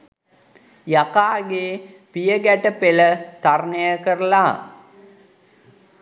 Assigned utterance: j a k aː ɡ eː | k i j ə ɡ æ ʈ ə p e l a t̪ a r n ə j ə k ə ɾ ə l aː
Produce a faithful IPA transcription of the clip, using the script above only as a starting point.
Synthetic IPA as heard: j a k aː ɡ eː | p i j ə ɡ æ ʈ ə p e l ə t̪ a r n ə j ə k ə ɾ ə l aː